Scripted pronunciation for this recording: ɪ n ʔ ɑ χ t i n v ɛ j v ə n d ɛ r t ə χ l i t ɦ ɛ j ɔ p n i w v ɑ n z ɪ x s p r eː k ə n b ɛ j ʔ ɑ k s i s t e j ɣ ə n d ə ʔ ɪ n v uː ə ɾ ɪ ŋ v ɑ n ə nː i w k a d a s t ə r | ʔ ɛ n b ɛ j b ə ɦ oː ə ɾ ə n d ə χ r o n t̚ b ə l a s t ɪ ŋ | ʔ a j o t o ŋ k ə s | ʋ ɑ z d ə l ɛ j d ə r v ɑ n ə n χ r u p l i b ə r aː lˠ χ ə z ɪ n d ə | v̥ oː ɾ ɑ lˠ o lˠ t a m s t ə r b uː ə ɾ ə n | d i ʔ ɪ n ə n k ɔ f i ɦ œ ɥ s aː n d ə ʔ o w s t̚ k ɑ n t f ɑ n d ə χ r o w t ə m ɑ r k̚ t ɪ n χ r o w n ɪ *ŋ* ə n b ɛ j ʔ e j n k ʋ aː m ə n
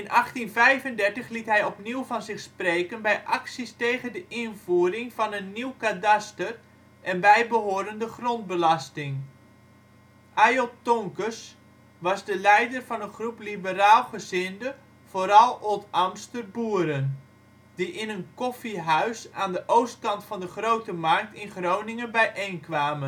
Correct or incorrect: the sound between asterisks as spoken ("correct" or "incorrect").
correct